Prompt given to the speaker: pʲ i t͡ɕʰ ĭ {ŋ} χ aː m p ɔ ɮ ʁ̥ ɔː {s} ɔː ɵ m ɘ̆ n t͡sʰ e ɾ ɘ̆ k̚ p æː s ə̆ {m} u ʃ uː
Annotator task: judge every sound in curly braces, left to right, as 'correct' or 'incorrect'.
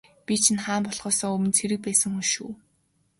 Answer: incorrect: n, correct, incorrect: ŋ

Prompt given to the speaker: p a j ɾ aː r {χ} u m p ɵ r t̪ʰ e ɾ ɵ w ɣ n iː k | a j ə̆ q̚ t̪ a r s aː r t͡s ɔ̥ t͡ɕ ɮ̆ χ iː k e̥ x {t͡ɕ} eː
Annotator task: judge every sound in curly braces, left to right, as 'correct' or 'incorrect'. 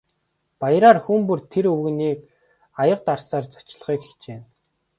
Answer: incorrect: x, correct

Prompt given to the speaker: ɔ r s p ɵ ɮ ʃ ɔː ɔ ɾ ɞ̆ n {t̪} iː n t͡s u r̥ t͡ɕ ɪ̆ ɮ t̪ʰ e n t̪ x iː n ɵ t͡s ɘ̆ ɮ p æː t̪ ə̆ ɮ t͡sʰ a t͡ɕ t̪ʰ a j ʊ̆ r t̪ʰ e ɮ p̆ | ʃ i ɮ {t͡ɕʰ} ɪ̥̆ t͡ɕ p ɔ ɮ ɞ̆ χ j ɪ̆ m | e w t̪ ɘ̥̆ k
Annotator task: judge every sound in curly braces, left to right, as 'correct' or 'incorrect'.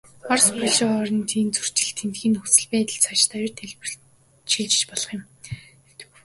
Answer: incorrect: t̪ʰ, incorrect: t͡ɕ

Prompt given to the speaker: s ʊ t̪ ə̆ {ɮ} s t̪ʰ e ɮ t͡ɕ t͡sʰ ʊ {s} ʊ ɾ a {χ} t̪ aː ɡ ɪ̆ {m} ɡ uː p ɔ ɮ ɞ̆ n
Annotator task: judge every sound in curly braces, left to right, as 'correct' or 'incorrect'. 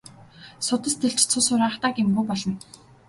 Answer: incorrect: none, correct, correct, correct

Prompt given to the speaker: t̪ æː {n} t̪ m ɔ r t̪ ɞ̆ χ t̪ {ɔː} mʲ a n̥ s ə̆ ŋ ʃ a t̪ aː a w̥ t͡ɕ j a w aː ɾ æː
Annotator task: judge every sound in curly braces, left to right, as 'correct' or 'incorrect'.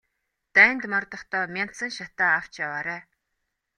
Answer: correct, correct

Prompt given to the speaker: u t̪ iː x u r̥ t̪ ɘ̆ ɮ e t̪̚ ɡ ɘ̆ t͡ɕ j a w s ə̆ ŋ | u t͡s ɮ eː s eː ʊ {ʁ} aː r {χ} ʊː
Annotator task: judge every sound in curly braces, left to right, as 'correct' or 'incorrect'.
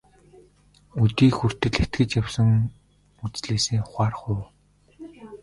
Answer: incorrect: χ, correct

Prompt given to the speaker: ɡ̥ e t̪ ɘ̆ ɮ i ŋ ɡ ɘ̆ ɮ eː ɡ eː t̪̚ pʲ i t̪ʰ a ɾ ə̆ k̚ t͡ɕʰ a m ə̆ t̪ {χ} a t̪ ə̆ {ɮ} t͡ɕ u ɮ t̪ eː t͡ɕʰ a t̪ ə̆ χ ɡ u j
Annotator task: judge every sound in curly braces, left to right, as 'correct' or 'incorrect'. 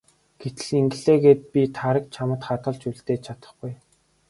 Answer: correct, correct

